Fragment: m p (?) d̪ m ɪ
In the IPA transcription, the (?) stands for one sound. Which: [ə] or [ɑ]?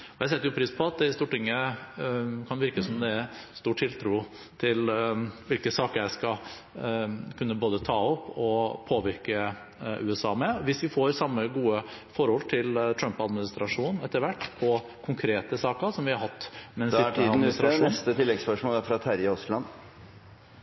ɑ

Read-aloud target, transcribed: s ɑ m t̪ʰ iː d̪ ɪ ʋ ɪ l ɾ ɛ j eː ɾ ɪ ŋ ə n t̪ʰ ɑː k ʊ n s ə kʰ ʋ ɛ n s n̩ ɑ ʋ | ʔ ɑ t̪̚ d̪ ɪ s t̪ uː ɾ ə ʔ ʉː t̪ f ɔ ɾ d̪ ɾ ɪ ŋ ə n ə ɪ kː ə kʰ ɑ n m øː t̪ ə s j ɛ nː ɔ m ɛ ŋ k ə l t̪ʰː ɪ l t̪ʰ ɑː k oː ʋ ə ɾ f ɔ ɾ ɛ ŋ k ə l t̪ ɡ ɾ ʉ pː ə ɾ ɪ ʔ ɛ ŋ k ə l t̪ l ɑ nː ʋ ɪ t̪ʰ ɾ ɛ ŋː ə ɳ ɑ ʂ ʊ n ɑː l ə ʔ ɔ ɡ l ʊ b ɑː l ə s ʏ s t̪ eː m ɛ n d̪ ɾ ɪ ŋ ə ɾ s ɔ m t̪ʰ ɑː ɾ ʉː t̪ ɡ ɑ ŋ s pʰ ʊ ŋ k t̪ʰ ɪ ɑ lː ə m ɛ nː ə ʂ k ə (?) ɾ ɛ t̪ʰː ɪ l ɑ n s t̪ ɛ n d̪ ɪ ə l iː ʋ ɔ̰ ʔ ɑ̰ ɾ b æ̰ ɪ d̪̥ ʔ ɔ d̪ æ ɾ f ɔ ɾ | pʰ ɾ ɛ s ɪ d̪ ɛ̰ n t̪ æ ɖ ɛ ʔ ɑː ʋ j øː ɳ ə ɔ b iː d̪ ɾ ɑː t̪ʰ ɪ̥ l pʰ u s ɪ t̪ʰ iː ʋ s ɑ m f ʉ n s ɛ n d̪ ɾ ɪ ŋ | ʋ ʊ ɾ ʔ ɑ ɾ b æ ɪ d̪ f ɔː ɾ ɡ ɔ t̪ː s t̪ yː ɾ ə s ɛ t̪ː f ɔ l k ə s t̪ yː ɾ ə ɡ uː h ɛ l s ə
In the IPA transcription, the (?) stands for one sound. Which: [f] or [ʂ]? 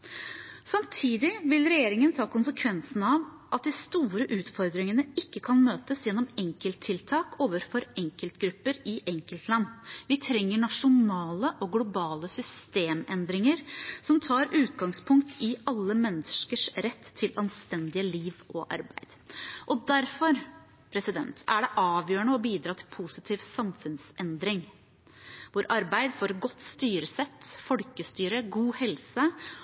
ʂ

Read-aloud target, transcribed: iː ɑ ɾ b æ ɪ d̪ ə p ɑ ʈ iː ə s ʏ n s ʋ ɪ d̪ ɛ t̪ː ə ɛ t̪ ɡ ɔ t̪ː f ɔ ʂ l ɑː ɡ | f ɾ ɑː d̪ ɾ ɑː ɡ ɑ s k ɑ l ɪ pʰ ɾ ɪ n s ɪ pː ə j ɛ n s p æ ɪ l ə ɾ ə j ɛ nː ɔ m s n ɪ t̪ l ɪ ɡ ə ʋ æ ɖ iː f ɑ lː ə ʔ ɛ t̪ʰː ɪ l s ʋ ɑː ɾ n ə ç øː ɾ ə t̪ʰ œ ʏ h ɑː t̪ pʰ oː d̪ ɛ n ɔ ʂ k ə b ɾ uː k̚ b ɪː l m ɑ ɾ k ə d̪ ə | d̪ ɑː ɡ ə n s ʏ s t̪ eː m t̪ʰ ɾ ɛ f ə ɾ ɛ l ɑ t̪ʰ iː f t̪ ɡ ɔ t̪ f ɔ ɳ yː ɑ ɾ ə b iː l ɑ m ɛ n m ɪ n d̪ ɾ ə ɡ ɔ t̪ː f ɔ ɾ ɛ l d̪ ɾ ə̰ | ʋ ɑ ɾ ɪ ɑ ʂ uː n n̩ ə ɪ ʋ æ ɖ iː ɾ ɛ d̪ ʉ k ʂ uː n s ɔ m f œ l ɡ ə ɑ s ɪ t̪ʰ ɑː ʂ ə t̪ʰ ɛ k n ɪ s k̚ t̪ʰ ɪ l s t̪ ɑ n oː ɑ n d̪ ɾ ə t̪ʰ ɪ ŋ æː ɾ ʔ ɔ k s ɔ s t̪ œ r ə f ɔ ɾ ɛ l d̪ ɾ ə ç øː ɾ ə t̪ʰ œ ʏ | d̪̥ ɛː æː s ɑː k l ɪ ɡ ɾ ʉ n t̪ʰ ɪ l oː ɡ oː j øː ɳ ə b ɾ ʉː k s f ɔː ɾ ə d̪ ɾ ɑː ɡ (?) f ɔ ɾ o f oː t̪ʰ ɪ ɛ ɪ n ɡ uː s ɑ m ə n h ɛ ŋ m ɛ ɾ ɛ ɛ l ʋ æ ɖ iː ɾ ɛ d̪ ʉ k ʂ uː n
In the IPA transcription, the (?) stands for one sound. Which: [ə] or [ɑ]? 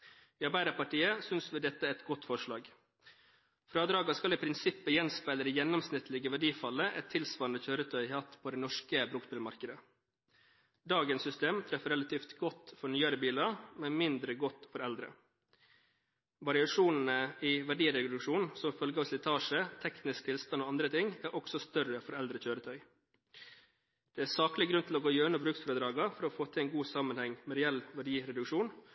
ɑ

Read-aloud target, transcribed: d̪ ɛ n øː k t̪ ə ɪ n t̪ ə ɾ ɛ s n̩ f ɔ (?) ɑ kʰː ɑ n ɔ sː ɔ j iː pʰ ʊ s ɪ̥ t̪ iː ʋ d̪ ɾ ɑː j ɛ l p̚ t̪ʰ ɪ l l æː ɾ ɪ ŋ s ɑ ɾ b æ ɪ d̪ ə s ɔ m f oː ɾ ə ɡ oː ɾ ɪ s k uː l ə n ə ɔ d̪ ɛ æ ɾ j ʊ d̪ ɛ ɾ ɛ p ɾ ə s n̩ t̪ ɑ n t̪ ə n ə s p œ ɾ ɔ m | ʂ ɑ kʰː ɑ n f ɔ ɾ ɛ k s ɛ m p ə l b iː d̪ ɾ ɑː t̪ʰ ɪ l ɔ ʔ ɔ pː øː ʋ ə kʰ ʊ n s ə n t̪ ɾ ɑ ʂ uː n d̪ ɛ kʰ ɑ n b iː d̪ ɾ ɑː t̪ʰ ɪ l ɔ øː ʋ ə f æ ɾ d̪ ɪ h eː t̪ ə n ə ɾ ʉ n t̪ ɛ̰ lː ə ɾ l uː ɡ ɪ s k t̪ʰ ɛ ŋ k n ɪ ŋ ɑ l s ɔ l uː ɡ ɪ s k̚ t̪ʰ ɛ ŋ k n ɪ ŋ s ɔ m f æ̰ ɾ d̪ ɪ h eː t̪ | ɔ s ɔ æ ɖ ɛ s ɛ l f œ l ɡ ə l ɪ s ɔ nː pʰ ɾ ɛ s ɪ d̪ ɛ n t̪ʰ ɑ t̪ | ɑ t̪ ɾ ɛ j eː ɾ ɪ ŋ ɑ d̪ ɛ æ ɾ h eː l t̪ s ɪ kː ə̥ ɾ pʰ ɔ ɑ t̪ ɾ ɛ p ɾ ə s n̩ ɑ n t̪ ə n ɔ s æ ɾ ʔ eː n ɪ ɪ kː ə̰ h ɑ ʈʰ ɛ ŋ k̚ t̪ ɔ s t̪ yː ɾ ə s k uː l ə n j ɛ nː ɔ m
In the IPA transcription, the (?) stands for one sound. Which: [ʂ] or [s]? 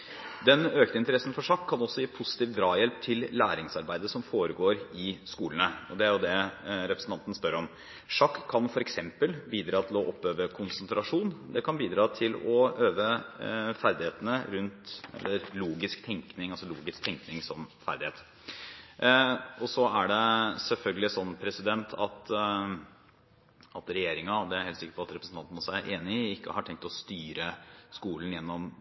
ʂ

